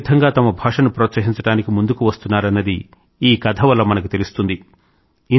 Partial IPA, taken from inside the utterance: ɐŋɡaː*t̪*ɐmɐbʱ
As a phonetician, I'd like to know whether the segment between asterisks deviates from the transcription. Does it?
no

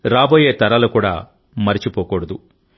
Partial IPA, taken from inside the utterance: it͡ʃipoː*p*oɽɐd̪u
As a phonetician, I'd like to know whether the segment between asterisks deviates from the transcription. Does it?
yes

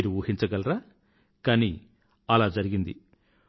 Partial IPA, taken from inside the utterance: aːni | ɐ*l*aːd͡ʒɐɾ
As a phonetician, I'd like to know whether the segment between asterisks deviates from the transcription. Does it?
no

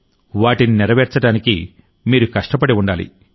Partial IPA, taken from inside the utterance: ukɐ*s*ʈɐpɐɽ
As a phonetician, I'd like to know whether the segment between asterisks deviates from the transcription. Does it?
yes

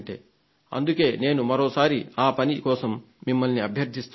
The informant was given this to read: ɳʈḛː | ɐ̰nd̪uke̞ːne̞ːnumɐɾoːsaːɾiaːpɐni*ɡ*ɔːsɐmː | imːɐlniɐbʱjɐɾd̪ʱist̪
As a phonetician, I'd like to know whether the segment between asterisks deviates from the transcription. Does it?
yes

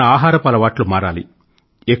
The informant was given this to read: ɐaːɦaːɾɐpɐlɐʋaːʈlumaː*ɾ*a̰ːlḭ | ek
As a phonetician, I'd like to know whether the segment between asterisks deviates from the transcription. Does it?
no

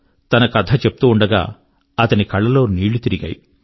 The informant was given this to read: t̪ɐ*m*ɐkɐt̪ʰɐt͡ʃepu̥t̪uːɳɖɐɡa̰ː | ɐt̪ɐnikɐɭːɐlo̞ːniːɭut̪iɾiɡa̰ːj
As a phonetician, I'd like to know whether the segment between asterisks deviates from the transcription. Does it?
yes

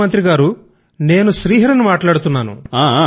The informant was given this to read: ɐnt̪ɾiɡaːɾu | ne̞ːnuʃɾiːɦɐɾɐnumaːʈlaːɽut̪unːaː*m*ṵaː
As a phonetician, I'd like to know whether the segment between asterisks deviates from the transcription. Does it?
yes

